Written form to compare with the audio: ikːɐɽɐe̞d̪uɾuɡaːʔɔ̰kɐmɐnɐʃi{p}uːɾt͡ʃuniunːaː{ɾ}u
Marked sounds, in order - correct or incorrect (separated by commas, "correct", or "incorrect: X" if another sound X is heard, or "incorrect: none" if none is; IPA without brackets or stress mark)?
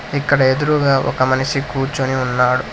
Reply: incorrect: k, incorrect: ɽ